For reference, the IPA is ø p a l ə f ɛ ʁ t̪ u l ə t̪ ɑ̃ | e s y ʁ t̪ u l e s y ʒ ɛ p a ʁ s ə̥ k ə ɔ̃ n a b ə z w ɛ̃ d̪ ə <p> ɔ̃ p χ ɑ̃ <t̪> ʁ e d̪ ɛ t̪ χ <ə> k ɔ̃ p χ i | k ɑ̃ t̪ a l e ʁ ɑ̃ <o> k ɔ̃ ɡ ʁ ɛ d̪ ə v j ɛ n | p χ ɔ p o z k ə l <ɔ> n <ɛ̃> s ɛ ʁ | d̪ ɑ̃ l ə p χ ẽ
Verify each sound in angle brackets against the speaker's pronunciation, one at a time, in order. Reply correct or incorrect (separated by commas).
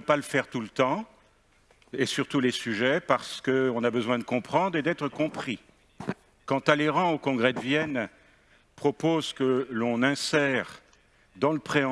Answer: incorrect, incorrect, correct, correct, incorrect, correct